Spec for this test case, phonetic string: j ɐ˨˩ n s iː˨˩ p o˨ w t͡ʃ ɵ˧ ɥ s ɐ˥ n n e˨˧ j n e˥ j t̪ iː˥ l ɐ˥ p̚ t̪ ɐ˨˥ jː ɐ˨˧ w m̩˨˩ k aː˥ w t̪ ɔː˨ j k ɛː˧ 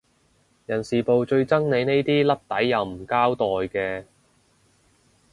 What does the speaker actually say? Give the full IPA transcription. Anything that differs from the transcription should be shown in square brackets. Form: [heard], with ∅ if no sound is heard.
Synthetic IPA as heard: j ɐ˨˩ n s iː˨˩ p o˨ w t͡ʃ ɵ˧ ɥ [t͡s] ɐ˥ [ŋ] n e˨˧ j n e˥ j t̪ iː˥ l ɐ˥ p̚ t̪ ɐ˨˥ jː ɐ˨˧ w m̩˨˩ k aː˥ w t̪ ɔː˨ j k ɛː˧